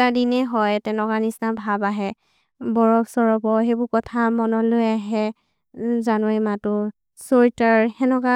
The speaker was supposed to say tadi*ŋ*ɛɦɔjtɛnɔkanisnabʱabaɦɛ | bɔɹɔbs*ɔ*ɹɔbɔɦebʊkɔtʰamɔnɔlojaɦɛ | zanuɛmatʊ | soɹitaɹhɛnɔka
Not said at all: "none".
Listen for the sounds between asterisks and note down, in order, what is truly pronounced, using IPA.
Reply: n, ɔ

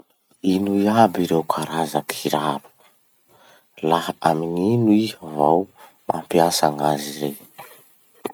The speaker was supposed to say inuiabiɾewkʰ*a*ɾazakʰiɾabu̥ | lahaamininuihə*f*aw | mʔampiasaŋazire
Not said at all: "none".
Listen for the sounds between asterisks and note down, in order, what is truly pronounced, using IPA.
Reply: a, v

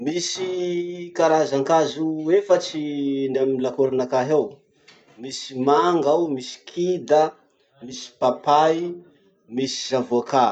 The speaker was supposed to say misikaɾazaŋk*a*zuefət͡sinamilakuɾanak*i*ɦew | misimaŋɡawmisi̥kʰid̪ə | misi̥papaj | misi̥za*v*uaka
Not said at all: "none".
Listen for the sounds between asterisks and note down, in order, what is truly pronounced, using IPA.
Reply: a, a, v

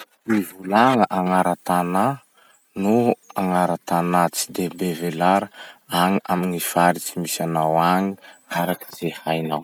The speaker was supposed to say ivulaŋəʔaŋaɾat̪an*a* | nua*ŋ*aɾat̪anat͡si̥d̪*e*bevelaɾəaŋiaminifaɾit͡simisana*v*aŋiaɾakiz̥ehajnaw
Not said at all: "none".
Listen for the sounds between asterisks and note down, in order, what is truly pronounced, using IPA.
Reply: a, ŋ, e, w

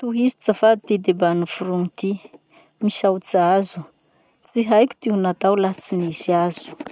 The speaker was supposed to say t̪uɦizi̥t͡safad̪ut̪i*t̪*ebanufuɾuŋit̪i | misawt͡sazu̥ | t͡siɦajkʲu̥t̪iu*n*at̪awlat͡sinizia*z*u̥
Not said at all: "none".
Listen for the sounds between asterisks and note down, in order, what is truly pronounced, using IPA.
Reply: d̪, n, z

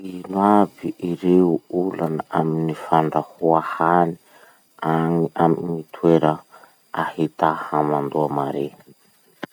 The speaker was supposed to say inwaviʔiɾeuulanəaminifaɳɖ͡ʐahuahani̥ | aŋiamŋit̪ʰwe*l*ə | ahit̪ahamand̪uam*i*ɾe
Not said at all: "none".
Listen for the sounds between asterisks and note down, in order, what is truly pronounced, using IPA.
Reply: ɾ, a

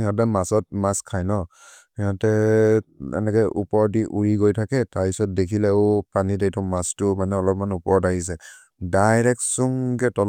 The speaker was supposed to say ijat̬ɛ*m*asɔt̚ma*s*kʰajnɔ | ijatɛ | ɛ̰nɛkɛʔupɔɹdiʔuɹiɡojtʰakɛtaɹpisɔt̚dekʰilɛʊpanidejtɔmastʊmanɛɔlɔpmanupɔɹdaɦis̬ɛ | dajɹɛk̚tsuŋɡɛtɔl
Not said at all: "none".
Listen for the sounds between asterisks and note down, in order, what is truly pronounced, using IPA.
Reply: m, s

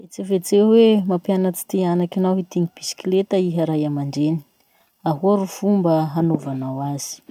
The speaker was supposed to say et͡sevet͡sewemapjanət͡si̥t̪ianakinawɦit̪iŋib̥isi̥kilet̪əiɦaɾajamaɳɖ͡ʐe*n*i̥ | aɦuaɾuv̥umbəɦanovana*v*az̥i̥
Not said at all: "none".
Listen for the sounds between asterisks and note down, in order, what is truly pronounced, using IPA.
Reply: n, w

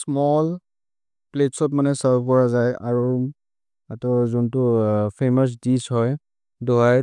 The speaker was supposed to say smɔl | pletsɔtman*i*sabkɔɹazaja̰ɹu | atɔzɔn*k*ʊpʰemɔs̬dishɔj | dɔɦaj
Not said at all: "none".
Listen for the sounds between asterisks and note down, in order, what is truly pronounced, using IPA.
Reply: ɛ, t

